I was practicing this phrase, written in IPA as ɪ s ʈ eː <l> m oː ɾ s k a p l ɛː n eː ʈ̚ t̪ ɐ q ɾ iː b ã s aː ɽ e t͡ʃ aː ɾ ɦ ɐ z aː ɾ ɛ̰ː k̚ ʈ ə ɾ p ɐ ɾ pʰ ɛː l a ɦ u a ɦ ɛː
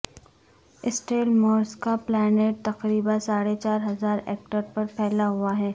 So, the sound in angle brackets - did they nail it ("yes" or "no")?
yes